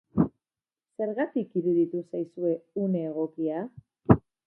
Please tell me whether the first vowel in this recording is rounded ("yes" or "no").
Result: no